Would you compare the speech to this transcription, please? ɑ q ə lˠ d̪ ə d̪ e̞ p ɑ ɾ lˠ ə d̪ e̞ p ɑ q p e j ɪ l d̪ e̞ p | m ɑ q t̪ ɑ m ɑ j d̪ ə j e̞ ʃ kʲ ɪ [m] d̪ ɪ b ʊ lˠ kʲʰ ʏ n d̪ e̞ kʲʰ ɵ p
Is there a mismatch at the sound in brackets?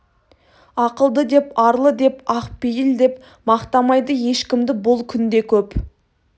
no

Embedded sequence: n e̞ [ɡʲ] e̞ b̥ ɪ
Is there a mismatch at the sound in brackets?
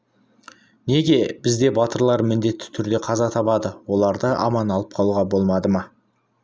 no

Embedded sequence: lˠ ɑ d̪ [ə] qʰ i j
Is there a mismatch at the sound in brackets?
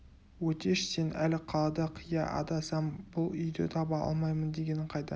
yes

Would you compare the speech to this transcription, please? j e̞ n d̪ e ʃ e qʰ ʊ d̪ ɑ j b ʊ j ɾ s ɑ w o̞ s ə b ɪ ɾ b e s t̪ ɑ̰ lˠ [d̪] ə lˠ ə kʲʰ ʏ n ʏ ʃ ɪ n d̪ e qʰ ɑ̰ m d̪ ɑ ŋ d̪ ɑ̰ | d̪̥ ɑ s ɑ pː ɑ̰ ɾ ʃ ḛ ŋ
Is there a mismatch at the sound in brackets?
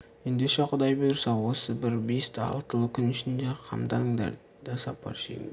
yes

